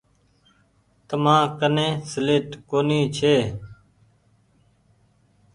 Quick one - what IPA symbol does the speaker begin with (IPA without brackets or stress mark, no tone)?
t̪